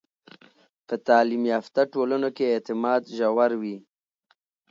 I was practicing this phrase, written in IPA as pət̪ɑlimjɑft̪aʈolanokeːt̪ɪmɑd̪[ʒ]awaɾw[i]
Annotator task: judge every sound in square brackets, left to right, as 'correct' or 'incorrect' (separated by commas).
correct, correct